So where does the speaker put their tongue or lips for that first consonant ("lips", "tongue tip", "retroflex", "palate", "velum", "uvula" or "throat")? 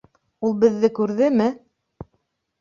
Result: tongue tip